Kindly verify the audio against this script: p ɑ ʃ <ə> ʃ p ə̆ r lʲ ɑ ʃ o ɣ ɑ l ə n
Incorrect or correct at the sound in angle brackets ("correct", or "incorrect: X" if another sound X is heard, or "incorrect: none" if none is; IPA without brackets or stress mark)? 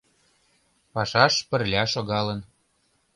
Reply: incorrect: ɑ